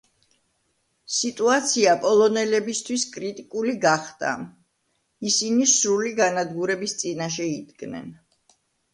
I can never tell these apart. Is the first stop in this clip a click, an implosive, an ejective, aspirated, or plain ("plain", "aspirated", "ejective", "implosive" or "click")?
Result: ejective